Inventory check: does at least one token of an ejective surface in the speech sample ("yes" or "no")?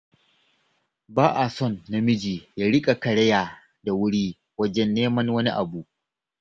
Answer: yes